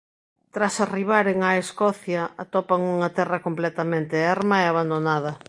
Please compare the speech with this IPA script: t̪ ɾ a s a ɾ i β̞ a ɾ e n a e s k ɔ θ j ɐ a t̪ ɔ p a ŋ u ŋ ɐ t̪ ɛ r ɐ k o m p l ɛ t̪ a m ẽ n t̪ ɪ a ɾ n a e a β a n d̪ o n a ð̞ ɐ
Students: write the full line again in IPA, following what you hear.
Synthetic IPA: t̪ ɾ a s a r i β̞ a ɾ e ŋ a e s k ɔ θ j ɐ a t̪ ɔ p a ŋ u ŋ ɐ t̪ ɛ r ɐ k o m p l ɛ t̪ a m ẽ n t̪ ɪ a ɾ m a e a β a n d̪ o n a ð̞ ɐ